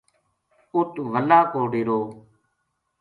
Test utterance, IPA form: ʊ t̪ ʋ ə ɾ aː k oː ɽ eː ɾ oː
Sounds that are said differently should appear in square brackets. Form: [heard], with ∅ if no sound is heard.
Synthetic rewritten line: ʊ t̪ ʋ ə [l] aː k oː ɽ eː ɾ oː